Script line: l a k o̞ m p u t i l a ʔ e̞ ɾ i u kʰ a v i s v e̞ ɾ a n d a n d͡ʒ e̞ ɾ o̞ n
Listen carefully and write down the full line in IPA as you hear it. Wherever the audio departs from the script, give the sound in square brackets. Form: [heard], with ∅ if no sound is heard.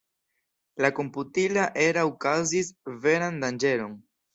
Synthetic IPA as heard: l a k o̞ m p u t i l a ʔ e̞ ɾ [a] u [k] a [z] i s v e̞ ɾ a n d a n d͡ʒ e̞ ɾ o̞ n